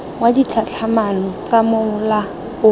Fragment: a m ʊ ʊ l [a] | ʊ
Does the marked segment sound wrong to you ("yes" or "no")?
no